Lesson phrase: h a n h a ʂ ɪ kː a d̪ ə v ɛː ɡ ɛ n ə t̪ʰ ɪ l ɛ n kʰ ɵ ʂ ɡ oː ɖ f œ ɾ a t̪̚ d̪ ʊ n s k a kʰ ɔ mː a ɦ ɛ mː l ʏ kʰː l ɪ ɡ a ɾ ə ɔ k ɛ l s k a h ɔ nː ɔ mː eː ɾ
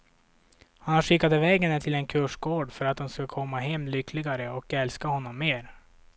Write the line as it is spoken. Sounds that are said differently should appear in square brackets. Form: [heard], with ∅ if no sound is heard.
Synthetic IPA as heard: h a n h a ʂ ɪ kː a d̪ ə v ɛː ɡ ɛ n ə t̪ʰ ɪ l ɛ n kʰ ɵ ʂ ɡ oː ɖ f œ ɾ a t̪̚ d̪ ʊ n s k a kʰ ɔ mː a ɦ ɛ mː l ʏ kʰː l ɪ ɡ a ɾ ə ɔ k ɛ l s k a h ɔ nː ɔ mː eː ɾ